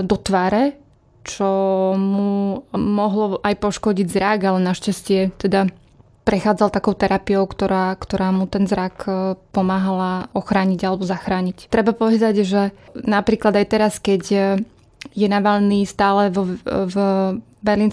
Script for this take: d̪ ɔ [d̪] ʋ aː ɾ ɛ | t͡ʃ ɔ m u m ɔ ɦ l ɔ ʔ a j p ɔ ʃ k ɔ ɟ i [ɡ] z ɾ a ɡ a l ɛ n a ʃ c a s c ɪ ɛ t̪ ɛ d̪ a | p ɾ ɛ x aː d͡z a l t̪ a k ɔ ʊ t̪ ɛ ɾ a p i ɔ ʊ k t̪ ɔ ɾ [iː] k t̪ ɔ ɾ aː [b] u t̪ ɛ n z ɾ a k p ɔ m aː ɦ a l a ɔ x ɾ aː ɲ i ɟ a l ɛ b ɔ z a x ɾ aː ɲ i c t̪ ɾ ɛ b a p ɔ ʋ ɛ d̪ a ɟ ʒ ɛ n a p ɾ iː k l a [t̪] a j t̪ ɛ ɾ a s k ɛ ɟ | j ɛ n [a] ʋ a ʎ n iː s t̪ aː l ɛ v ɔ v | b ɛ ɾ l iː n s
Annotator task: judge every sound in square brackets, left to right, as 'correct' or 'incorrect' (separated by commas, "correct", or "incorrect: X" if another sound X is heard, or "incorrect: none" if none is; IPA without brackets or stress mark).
incorrect: t̪, incorrect: ɟ, incorrect: aː, incorrect: m, incorrect: d̪, correct